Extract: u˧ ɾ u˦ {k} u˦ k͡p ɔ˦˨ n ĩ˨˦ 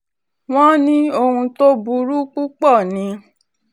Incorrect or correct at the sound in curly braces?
incorrect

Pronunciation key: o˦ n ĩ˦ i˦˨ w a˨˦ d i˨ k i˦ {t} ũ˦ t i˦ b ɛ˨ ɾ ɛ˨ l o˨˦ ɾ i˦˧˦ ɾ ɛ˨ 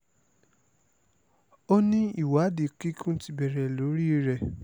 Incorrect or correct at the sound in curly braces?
incorrect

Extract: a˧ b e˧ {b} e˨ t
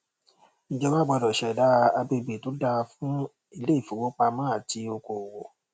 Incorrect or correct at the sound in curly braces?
correct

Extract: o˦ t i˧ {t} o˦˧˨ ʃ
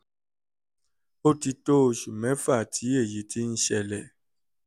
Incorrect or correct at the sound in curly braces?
correct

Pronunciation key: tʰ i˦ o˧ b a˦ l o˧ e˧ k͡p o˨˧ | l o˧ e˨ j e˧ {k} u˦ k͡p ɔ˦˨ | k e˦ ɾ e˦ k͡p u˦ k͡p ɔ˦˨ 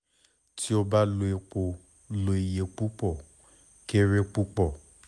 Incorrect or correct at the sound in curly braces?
incorrect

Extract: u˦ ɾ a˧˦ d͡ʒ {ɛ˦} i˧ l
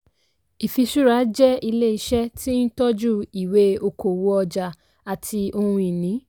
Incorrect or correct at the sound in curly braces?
correct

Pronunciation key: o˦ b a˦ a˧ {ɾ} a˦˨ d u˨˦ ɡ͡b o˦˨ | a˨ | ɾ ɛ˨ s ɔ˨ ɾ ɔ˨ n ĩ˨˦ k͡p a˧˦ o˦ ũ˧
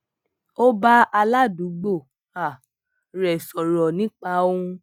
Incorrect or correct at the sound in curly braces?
incorrect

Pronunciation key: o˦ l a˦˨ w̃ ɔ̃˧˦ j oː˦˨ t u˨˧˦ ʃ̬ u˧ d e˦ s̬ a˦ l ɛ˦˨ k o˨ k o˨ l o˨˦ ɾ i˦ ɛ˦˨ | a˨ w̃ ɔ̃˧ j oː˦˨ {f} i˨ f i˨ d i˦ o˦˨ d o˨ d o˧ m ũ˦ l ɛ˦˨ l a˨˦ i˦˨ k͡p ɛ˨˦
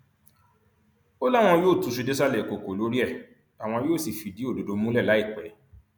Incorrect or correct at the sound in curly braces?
incorrect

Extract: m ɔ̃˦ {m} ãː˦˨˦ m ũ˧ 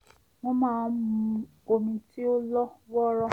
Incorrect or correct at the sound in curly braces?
correct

